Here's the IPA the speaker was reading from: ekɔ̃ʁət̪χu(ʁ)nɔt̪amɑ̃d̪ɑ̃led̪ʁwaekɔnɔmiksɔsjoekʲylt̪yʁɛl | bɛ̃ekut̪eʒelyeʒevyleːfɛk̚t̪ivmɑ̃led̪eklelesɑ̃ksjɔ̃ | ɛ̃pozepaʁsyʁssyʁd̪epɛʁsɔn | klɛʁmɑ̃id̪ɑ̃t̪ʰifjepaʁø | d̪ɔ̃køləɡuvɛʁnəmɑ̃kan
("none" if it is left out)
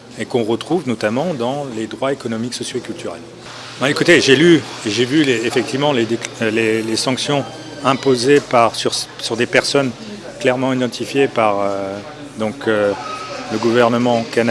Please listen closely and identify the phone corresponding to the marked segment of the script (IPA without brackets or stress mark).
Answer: v